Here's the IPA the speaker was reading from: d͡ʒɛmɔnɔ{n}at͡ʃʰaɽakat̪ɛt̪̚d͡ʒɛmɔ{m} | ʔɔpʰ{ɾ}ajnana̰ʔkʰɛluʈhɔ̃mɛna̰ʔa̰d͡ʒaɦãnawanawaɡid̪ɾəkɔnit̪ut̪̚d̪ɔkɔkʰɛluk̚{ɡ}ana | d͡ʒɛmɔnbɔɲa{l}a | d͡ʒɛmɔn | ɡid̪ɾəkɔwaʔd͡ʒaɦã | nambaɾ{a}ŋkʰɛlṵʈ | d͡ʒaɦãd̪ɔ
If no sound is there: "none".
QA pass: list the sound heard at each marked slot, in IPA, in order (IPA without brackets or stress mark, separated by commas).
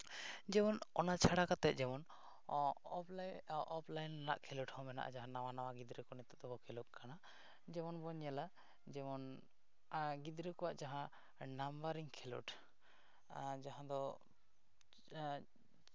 n, n, l, k, l, i